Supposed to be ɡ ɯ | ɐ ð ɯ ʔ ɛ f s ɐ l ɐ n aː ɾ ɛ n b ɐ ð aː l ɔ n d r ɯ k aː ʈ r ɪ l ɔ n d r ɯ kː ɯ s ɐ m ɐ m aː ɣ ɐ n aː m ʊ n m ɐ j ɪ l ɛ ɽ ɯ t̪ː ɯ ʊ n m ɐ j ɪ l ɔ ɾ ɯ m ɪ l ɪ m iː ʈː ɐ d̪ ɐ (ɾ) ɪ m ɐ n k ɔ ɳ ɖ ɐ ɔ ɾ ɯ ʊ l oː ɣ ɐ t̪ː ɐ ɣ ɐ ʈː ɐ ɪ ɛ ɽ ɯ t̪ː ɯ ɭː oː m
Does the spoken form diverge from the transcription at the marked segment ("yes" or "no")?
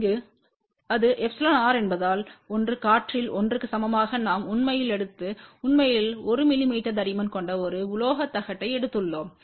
no